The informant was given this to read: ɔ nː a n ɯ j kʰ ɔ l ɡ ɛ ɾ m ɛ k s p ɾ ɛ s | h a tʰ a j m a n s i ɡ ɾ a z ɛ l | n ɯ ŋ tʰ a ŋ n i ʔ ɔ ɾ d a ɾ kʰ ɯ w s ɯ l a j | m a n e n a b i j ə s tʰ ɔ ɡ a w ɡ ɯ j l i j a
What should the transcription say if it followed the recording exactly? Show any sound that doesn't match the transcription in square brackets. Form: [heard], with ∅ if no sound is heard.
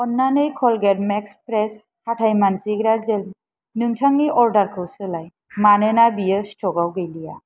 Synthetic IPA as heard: ɔ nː a n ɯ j kʰ ɔ l ɡ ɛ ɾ m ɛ k s p ɾ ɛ s | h a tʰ a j m a n s i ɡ ɾ a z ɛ l | n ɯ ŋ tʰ a ŋ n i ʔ ɔ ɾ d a ɾ kʰ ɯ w s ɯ l a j | m a n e n a b i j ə s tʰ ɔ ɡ a w ɡ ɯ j l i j a